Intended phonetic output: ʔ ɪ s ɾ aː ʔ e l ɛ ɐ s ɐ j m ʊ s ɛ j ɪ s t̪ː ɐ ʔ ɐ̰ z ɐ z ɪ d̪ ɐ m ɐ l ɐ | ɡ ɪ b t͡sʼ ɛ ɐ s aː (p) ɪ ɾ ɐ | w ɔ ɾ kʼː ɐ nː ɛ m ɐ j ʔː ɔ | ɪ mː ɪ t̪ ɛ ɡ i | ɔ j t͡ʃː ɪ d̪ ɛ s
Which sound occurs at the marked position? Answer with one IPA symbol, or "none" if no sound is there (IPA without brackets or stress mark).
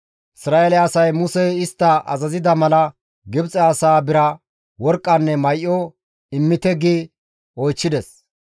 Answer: b